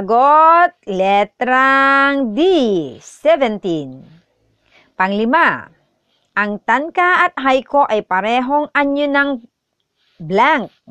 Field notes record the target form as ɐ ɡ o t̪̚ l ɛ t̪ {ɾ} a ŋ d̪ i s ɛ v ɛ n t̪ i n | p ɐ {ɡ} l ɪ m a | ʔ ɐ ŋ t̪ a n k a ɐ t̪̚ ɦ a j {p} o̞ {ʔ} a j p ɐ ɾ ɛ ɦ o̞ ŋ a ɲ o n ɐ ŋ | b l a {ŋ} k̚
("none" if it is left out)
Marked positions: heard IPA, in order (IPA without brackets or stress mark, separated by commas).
ɾ, ŋ, k, ʔ, ŋ